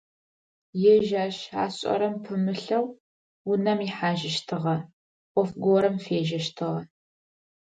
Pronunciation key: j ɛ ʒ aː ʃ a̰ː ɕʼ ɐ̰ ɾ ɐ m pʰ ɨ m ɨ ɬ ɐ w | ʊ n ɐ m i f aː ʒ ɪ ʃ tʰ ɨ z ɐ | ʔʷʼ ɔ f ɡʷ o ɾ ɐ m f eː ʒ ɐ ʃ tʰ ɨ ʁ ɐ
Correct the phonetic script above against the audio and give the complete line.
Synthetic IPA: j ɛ ʒ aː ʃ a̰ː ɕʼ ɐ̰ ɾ ɐ m pʰ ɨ m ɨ ɬ ɐ w | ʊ n ɐ m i ħ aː ʒ ɪ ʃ tʰ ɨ ʁ ɐ | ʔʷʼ ɔ f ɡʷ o ɾ ɐ m f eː ʒ ɐ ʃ tʰ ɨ ʁ ɐ